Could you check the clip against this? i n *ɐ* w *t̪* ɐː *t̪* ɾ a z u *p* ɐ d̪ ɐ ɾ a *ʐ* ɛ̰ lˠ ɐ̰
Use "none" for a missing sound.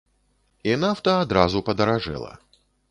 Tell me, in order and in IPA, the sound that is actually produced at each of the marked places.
a, t̪, d̪, p, ʐ

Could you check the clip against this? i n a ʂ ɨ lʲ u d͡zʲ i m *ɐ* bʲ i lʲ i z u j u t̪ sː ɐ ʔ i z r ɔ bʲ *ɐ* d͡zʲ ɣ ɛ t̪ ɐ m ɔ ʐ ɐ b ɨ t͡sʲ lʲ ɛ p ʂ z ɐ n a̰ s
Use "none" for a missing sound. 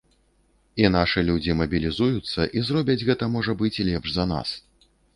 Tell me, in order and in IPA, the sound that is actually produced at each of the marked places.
ɐ, ɐ

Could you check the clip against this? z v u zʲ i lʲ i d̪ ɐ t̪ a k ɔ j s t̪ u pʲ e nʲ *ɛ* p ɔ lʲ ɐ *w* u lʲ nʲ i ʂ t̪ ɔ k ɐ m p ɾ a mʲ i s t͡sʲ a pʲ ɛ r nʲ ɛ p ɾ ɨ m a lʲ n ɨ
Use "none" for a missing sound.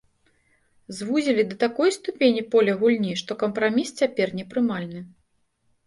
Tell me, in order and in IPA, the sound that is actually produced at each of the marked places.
i, ɣ

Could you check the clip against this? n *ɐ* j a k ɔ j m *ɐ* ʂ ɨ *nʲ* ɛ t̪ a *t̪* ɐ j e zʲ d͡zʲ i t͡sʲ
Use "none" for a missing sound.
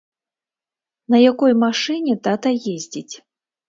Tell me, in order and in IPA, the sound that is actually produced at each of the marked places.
ɐ, a, nʲ, t̪

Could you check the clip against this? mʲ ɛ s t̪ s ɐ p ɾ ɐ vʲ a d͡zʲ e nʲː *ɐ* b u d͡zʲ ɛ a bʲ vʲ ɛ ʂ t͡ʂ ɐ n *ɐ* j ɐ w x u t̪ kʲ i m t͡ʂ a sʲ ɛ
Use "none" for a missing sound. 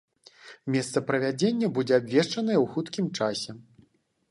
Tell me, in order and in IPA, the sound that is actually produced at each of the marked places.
ɐ, ɐ

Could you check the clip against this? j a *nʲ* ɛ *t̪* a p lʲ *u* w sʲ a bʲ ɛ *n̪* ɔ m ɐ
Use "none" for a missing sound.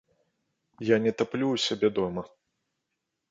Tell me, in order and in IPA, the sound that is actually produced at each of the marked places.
nʲ, t̪, u, d̪

